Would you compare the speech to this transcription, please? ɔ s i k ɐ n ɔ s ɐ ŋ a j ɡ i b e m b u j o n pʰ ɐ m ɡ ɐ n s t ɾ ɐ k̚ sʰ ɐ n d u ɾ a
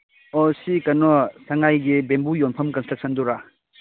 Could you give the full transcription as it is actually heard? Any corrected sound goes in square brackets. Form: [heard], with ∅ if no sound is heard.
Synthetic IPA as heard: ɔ s i k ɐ n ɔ s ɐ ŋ a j ɡ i b e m b u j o n pʰ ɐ m [k] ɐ n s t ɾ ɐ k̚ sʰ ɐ n d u ɾ a